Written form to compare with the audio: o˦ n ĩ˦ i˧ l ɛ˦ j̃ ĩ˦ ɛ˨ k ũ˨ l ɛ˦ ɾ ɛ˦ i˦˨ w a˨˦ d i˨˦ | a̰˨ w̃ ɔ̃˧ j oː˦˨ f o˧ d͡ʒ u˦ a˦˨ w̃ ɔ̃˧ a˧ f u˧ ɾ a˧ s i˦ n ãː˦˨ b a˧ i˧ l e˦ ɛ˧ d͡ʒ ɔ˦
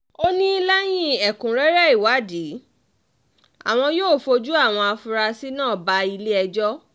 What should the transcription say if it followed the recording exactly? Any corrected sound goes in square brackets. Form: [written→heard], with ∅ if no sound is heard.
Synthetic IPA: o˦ n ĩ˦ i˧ l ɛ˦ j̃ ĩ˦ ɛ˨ k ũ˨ [l→ɾ] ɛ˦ ɾ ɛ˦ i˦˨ w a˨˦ d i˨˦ | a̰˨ w̃ ɔ̃˧ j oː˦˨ f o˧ d͡ʒ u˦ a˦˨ w̃ ɔ̃˧ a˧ f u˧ ɾ a˧ s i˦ n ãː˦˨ b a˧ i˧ l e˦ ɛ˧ d͡ʒ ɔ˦